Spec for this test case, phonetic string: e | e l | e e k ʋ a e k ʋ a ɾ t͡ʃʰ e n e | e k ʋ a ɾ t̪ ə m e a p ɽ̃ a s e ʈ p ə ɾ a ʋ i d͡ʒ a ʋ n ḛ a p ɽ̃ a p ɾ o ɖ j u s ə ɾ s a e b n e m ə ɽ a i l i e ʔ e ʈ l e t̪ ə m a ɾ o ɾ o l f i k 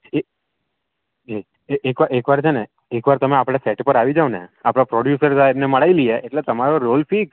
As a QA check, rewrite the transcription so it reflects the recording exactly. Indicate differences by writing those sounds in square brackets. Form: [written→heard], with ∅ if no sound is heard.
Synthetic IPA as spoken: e | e [l→∅] | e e k ʋ a e k ʋ a ɾ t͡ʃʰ e n e | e k ʋ a ɾ t̪ ə m e a p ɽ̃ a s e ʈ p ə ɾ a ʋ i d͡ʒ a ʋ n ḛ a p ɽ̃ a p ɾ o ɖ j u s ə ɾ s a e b n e m ə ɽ a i l i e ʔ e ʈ l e t̪ ə m a ɾ o ɾ o l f i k